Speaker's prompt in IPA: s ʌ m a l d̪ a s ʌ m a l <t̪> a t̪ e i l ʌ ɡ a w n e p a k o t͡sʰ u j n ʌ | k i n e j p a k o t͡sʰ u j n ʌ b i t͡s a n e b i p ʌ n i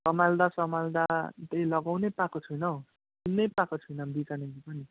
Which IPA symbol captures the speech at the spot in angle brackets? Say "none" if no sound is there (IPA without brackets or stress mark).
d̪